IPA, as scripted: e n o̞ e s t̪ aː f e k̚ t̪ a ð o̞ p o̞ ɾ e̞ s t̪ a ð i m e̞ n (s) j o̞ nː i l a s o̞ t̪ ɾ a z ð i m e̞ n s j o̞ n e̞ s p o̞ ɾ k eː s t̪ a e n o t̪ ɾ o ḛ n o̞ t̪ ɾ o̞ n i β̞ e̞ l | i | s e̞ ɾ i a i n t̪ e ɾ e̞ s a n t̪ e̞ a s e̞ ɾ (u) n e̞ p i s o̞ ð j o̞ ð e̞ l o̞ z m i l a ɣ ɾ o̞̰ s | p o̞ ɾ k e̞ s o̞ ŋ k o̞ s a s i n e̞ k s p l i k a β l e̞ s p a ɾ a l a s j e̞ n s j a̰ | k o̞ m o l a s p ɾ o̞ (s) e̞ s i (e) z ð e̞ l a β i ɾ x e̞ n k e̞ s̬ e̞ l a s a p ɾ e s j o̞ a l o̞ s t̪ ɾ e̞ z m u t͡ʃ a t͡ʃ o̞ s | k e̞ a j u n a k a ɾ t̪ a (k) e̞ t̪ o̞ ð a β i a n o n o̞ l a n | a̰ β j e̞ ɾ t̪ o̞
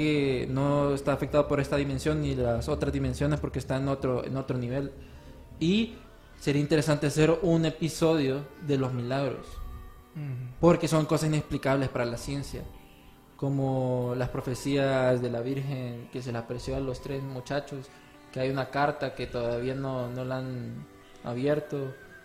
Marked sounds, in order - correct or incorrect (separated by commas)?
correct, correct, incorrect, incorrect, correct